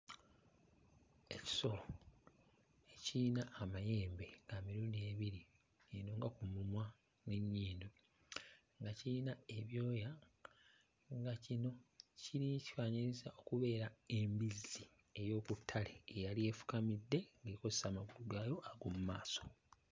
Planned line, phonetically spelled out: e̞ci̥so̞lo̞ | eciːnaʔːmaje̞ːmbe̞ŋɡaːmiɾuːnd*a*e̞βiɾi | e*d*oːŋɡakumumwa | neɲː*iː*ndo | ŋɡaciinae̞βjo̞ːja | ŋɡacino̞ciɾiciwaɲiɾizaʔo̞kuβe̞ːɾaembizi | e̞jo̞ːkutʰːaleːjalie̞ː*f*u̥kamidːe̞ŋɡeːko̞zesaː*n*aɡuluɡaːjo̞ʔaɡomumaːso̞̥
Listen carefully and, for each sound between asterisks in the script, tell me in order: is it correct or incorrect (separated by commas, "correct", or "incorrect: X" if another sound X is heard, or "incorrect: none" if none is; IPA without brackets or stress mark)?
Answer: incorrect: i, incorrect: n, correct, correct, incorrect: m